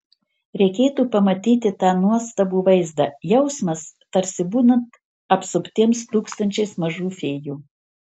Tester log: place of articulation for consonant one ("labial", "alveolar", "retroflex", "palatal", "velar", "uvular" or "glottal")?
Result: alveolar